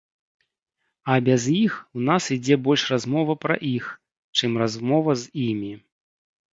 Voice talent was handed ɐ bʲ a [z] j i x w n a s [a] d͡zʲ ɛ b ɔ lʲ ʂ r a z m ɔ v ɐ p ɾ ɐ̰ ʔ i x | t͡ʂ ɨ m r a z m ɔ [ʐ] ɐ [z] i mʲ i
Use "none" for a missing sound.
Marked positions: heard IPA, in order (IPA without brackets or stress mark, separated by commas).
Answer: z, i, v, z